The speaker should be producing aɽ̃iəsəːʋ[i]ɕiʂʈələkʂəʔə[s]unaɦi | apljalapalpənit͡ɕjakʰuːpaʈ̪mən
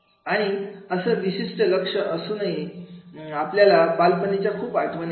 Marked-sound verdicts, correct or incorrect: correct, correct

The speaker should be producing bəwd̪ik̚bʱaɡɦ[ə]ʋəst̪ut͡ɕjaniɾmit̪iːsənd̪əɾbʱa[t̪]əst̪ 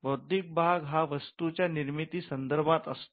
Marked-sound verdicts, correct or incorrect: incorrect, correct

